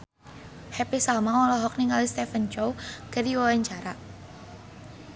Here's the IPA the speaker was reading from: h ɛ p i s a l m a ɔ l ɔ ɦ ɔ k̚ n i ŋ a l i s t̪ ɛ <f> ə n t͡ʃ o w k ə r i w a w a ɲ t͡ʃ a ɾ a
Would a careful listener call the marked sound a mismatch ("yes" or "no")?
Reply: no